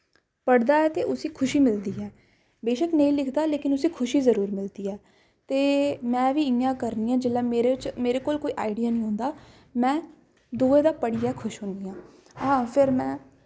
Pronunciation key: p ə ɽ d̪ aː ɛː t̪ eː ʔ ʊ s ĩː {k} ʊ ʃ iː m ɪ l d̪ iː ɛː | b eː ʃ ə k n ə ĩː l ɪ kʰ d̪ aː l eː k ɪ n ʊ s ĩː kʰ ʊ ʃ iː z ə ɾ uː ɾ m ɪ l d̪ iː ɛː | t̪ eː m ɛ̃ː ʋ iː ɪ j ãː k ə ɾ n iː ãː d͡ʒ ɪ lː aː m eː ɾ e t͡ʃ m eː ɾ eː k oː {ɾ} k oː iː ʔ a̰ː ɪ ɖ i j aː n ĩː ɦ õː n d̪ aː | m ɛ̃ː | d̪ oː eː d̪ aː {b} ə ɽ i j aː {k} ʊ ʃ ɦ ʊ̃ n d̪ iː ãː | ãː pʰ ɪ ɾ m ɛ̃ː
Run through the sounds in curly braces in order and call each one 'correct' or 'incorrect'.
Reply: incorrect: kʰ, incorrect: l, incorrect: p, incorrect: kʰ

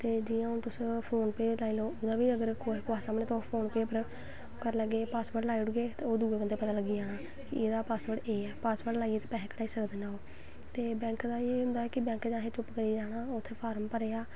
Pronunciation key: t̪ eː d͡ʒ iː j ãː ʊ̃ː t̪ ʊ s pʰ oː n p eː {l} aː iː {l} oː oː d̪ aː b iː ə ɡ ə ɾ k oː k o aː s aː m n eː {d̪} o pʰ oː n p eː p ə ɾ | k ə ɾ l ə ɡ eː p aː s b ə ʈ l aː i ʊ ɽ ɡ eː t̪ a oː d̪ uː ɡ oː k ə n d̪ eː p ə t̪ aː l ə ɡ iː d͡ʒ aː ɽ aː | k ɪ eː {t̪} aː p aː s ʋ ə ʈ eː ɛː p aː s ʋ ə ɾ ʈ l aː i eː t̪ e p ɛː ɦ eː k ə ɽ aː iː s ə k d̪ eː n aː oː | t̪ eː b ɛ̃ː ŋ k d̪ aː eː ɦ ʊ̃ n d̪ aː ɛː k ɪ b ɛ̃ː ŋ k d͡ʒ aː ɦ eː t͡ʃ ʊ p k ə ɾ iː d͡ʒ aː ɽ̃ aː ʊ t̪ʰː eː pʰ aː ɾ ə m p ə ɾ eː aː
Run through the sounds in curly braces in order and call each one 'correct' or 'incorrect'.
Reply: correct, correct, incorrect: t̪, incorrect: d̪

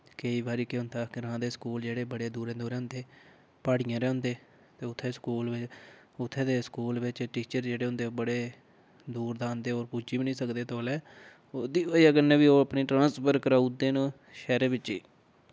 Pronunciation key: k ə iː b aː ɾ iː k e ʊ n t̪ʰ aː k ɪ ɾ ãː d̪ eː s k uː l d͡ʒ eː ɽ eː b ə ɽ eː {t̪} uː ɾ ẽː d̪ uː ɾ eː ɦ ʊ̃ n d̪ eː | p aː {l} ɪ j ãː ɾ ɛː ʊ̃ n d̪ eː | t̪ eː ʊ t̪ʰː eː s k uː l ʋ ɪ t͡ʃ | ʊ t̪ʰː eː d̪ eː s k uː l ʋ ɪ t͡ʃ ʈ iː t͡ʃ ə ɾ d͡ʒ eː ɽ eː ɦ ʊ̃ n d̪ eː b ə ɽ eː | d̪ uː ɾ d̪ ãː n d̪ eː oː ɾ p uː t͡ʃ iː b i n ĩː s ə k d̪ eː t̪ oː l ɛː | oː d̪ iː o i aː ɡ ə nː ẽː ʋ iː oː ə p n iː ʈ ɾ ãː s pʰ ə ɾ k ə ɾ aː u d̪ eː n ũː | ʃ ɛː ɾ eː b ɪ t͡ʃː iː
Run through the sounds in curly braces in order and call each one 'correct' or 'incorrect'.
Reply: incorrect: d̪, incorrect: ɽ

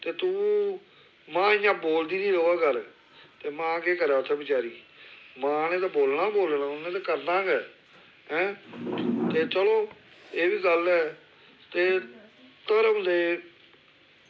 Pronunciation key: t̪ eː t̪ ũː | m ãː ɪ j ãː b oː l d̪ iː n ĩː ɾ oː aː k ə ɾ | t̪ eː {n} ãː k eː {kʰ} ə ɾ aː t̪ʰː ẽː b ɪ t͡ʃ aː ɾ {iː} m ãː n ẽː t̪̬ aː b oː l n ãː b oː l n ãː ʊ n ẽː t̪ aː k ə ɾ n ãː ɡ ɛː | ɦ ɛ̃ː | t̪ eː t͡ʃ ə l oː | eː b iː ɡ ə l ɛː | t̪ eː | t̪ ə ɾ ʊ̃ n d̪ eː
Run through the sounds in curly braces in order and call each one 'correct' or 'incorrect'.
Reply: incorrect: m, incorrect: k, correct

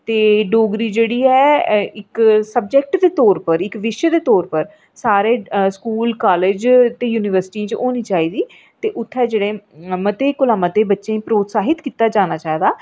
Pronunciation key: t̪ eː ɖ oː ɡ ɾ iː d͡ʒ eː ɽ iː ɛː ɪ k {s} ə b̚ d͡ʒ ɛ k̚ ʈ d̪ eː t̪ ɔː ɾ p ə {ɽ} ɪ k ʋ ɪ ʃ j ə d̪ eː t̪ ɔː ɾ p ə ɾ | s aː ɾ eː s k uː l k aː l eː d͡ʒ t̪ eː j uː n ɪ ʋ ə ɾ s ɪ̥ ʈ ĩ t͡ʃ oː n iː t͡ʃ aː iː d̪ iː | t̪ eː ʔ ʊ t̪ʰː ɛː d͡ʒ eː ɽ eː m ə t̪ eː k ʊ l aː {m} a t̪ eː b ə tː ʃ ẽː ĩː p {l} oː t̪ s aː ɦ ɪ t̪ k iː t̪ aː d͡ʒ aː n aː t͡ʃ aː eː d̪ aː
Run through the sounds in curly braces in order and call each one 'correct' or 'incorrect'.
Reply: correct, incorrect: ɾ, correct, incorrect: ɾ

